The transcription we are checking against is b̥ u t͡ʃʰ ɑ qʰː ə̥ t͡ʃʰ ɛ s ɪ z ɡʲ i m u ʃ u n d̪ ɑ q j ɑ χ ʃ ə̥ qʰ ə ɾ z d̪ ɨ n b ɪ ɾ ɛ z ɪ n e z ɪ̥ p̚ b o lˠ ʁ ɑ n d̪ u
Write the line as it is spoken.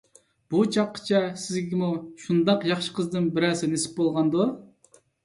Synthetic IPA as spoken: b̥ u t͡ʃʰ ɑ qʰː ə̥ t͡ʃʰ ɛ s ɪ z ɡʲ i m u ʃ u n d̪ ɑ q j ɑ χ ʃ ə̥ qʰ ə z d̪ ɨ n b ɪ ɾ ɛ s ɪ n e s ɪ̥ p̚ b o lˠ ʁ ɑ n d̪ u